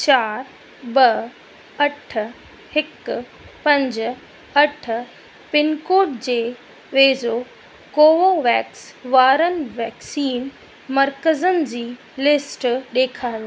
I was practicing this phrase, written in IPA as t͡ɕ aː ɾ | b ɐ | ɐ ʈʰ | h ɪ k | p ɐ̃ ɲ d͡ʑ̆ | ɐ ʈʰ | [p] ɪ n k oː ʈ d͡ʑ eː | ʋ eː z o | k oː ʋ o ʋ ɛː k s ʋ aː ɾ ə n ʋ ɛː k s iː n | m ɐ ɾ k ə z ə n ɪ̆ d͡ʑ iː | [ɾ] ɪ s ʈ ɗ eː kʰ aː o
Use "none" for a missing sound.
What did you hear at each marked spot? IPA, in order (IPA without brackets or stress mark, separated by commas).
p, l